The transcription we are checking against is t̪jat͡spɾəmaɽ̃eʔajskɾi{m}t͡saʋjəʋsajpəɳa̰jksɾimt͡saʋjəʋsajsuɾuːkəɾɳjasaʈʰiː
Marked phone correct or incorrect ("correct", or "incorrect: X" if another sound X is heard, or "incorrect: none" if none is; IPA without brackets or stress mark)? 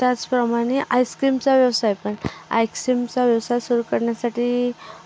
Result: correct